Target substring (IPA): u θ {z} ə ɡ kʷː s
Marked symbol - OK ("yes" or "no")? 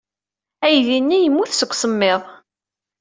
no